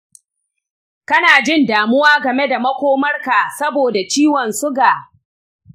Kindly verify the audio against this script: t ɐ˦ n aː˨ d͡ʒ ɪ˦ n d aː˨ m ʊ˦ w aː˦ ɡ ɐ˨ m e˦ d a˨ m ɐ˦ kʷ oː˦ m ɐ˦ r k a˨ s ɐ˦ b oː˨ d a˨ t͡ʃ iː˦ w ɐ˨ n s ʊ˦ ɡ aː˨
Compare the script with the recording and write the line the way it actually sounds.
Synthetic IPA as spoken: k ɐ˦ n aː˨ d͡ʒ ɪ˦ n d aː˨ m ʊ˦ w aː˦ ɡ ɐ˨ m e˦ d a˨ m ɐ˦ kʷ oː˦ m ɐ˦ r k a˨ s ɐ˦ b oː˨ d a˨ t͡ʃ iː˦ w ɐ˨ n s ʊ˦ ɡ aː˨